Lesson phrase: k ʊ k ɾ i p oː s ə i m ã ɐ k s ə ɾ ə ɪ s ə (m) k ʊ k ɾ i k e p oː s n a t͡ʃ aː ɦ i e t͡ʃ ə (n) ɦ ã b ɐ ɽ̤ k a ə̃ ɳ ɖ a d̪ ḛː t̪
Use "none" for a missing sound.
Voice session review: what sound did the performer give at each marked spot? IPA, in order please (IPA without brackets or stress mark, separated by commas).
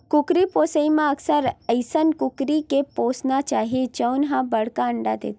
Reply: n, n